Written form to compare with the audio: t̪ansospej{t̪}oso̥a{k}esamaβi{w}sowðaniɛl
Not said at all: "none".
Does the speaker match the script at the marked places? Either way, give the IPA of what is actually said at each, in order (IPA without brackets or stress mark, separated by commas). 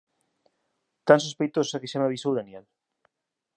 t̪, k, none